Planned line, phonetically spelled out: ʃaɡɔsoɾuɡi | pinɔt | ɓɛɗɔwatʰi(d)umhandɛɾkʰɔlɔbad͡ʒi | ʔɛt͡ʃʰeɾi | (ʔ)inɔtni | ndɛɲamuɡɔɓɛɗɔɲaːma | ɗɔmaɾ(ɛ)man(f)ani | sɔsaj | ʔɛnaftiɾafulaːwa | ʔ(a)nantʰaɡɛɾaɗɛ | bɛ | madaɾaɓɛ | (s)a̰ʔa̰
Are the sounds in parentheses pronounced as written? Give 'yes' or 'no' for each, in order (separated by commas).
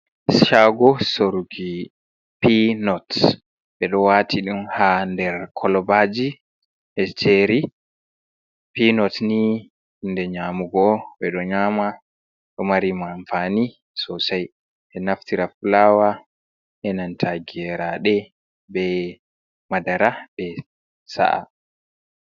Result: no, no, no, yes, no, yes